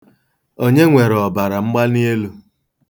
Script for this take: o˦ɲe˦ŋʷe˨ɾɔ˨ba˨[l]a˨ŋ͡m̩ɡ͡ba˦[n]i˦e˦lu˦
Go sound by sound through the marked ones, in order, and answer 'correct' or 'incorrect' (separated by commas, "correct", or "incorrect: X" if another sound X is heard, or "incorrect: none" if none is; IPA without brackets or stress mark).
incorrect: ɾ, correct